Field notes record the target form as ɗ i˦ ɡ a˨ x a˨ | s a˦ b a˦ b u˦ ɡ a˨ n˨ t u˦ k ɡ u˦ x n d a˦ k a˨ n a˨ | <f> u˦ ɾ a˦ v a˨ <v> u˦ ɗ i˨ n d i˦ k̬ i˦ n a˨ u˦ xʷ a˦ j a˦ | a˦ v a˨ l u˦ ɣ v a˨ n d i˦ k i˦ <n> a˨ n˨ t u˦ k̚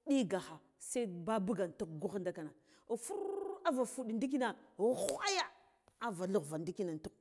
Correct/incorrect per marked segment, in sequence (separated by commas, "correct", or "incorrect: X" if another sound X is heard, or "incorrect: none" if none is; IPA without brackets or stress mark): correct, incorrect: f, correct